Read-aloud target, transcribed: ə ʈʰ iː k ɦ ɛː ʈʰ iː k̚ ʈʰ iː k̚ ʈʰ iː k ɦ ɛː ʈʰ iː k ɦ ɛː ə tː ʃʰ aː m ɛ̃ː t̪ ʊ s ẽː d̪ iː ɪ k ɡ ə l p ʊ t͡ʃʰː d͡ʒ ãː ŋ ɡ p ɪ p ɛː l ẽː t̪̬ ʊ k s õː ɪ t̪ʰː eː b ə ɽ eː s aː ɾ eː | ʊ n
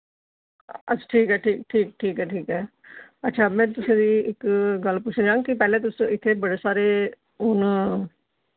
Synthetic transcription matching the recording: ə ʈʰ iː k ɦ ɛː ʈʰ iː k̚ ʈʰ iː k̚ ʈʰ iː k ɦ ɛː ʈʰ iː k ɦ ɛː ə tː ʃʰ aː m ɛ̃ː t̪ ʊ s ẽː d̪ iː ɪ k ɡ ə l p ʊ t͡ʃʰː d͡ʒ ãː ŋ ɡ k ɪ p ɛː l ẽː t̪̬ ʊ s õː ɪ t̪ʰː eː b ə ɽ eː s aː ɾ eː | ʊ n